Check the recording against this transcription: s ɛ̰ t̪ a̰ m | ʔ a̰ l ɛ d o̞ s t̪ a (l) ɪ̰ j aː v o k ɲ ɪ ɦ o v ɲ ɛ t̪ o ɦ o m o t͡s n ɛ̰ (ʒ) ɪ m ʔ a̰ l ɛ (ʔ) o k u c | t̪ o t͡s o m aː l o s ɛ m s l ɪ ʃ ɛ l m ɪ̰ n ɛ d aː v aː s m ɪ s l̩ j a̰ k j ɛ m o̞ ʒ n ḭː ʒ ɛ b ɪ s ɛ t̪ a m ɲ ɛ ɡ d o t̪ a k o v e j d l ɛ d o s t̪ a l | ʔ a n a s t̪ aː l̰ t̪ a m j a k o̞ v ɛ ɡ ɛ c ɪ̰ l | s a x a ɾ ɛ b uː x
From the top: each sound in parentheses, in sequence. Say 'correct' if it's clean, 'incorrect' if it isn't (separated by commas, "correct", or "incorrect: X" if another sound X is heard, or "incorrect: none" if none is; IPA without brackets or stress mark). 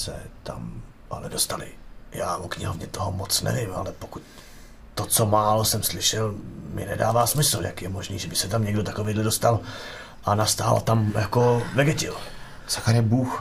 correct, incorrect: v, incorrect: p